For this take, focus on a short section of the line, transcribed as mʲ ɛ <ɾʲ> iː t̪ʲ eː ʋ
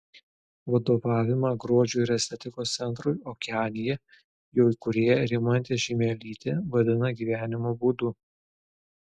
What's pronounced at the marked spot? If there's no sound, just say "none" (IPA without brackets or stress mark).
lʲ